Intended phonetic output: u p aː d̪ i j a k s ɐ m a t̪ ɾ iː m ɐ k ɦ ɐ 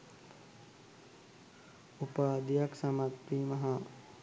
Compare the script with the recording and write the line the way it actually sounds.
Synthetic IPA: u p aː d̪ i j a k s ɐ m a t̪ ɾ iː m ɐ ɦ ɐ